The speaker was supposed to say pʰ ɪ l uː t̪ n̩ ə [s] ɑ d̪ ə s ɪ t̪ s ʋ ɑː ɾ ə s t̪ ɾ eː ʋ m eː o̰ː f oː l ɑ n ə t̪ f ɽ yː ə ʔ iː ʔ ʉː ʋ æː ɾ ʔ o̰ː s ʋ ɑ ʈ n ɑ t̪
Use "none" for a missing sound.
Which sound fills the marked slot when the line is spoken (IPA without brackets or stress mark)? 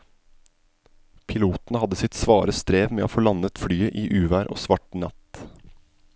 h